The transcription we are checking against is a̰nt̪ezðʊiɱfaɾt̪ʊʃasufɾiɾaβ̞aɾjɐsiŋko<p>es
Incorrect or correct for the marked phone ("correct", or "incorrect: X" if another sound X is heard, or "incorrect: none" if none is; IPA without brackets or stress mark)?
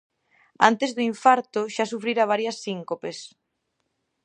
correct